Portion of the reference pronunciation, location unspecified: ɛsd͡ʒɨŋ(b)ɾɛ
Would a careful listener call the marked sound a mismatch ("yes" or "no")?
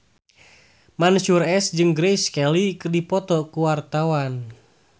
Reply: yes